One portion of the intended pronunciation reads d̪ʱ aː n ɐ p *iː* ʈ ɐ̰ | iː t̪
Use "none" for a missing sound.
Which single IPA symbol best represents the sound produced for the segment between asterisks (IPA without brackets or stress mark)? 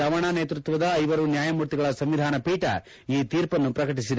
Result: iː